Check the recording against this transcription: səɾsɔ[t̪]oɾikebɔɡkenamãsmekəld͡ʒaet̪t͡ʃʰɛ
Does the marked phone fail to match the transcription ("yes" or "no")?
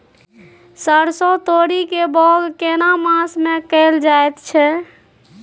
no